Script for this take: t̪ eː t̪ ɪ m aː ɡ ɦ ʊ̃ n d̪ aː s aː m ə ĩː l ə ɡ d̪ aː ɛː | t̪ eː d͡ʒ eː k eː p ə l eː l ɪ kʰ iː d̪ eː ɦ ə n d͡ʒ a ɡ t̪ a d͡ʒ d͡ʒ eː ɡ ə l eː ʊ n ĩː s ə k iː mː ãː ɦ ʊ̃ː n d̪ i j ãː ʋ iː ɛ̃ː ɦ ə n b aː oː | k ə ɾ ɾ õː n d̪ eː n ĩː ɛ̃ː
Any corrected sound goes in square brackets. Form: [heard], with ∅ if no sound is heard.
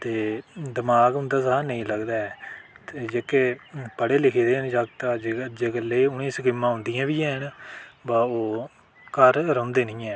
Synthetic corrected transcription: t̪ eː [d̪] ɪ m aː ɡ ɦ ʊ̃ n d̪ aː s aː [n] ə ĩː l ə ɡ d̪ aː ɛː | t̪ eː d͡ʒ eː k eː p ə [ɽ] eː l ɪ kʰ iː d̪ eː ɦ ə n d͡ʒ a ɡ t̪ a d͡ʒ d͡ʒ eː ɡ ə l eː ʊ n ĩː s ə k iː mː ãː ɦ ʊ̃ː n d̪ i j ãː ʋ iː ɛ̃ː ɦ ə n b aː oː | k ə ɾ ɾ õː n d̪ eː n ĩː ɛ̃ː

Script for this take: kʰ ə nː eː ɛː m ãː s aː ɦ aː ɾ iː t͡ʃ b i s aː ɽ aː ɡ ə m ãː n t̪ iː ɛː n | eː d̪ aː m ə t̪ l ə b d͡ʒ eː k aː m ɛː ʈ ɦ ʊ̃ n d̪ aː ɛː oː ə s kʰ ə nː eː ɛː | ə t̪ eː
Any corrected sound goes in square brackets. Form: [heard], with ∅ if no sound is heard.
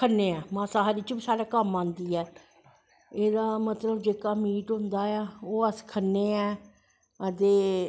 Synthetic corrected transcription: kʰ ə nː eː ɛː m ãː s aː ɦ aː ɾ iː t͡ʃ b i s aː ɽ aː [k] ə m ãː n [d̪] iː ɛː [∅] | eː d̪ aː m ə t̪ l ə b d͡ʒ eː k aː m [iː] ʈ ɦ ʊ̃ n d̪ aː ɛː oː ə s kʰ ə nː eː ɛː | ə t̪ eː

